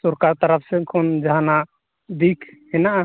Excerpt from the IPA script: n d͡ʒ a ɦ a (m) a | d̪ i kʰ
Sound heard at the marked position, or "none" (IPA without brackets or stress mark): n